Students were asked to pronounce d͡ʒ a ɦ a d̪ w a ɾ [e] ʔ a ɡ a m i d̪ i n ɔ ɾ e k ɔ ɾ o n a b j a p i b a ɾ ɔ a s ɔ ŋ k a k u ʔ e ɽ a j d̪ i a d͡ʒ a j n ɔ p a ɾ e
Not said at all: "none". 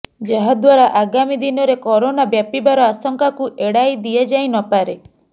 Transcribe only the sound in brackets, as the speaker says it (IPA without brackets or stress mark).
a